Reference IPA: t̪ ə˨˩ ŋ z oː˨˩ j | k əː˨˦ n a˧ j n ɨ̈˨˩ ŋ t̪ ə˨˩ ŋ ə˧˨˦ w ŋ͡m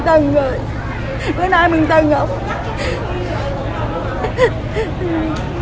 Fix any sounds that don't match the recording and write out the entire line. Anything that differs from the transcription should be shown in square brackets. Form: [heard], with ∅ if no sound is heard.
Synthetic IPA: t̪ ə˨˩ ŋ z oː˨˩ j | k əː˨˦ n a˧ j [m] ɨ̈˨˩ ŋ t̪ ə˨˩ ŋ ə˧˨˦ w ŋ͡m